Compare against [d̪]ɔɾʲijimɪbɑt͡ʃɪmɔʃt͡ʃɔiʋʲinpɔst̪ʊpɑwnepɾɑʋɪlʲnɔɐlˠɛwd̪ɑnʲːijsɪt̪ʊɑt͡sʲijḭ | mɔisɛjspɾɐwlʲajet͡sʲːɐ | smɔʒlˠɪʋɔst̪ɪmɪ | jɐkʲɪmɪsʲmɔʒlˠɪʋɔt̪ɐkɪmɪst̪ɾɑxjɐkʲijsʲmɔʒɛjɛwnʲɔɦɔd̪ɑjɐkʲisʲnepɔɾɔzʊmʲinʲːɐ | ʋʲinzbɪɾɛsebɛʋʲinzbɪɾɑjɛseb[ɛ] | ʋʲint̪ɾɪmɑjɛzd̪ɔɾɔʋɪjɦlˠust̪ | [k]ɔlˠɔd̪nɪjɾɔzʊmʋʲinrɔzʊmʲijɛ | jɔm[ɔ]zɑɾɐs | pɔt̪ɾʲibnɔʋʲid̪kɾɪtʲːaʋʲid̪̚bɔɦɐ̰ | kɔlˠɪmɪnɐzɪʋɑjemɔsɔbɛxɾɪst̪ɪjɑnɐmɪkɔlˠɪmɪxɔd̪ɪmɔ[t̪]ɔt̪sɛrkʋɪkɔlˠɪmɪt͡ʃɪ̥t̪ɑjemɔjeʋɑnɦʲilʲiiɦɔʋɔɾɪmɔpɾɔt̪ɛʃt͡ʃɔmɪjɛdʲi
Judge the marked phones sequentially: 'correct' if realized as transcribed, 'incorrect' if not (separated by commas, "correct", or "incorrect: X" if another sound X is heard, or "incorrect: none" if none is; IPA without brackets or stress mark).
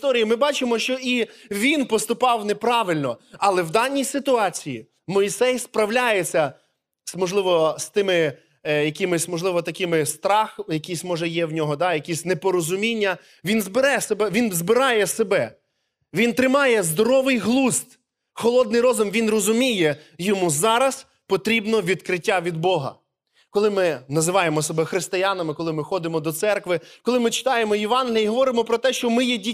incorrect: t̪, correct, incorrect: x, incorrect: u, incorrect: d̪